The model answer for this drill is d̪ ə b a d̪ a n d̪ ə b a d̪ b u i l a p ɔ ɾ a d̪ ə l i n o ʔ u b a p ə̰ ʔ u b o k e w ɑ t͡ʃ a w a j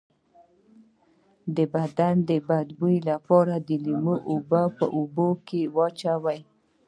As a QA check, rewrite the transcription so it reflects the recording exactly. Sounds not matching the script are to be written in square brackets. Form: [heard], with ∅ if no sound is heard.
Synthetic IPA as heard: d̪ ə b a d̪ a n d̪ ə b a d̪ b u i l a p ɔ ɾ a d̪ ə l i [m] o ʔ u b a p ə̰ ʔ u b o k e w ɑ t͡ʃ a w a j